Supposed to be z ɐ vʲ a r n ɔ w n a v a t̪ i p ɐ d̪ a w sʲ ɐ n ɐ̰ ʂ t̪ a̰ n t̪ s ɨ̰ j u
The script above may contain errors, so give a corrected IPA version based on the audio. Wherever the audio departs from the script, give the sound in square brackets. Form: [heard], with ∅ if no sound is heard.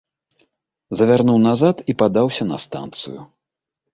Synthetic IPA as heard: z ɐ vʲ a r n [u] w n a [z] a t̪ i p [a] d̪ a w sʲ ɐ n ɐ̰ [s] t̪ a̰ n t̪ s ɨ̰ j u